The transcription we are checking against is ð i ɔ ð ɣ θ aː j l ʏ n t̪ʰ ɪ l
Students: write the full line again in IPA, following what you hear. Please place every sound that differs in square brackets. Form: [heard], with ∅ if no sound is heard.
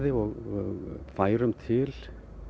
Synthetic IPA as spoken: ð [ɪ] ɔ [ɣ] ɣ [f] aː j [ɾ] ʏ [m] t̪ʰ ɪ l